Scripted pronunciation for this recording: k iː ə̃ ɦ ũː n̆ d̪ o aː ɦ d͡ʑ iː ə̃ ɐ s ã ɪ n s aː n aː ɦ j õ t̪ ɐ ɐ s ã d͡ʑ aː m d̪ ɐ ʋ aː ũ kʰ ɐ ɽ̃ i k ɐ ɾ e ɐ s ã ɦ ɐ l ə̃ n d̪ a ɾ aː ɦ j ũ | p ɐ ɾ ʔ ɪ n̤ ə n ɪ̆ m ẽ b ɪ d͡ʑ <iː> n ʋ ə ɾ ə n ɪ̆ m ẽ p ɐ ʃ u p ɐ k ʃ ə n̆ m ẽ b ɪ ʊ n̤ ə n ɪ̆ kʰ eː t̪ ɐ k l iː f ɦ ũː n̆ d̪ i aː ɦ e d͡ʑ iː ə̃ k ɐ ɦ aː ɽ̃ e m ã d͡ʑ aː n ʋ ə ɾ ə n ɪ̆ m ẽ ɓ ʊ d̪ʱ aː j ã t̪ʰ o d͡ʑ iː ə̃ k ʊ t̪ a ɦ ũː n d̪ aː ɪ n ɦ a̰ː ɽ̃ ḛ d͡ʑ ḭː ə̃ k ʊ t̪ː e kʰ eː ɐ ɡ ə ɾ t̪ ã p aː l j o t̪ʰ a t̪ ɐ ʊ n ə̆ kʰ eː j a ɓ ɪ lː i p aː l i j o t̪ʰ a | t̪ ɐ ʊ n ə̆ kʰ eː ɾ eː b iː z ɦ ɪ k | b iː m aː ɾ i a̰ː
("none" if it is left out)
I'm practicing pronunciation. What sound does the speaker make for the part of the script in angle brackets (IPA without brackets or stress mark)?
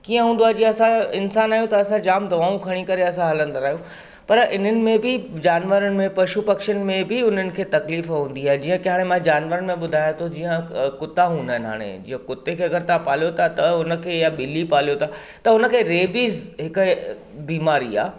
aː